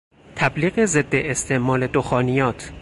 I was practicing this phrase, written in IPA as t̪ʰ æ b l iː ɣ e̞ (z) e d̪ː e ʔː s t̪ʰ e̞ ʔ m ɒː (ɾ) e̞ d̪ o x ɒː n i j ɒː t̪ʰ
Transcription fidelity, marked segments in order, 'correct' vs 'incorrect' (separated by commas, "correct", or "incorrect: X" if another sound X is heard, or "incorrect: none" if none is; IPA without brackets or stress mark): correct, incorrect: l